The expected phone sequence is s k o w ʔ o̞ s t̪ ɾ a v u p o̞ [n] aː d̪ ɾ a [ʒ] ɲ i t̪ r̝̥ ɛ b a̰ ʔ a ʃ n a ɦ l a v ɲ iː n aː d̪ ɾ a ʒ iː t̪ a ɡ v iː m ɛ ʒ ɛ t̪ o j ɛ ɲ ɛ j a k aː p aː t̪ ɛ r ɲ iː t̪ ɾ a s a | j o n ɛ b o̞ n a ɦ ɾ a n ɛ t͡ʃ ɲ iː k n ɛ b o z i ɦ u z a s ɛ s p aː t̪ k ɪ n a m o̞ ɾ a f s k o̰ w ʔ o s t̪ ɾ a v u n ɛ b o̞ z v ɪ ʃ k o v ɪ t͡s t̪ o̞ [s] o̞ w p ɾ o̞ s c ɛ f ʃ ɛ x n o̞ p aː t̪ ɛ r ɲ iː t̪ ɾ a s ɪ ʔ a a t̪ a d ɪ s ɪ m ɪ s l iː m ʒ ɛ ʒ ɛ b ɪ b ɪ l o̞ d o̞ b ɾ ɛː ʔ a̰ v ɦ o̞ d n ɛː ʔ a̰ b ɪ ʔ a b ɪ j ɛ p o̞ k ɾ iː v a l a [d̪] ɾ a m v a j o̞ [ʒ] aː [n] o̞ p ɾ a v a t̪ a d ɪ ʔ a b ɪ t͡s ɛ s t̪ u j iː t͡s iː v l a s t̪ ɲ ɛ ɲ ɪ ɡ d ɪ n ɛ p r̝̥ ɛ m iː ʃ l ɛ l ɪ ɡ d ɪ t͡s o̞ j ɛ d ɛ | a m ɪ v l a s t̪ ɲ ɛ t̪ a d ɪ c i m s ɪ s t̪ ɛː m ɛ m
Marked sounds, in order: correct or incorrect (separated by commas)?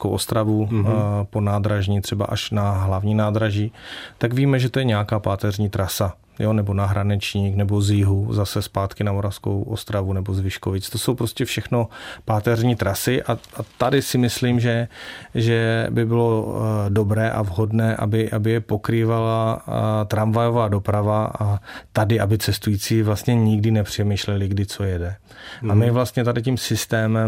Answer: correct, correct, correct, incorrect, incorrect, incorrect